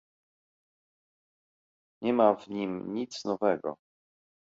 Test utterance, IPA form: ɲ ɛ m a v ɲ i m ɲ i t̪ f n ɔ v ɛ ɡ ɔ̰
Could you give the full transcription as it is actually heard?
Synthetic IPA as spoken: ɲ ɛ m a v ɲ i m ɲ i t̪ s n ɔ v ɛ ɡ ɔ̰